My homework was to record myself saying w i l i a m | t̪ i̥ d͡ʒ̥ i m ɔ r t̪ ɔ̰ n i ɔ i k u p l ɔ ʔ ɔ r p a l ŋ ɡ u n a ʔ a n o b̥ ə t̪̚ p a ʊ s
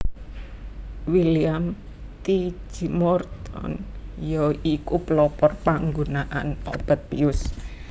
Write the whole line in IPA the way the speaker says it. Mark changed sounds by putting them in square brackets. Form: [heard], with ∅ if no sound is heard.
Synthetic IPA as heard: w i l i a m | t̪ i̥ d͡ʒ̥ i m ɔ r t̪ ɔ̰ n [j] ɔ i k u p l ɔ [p] ɔ r p a [∅] ŋ ɡ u n a ʔ a n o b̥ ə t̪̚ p [i] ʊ s